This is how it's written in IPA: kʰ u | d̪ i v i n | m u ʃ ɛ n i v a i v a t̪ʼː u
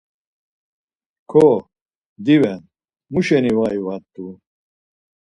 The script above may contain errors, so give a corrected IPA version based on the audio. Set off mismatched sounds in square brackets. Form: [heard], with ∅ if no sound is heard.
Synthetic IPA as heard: kʰ [ɔ] | d̪ i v [ɛ] n | m u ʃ ɛ n i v a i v a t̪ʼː u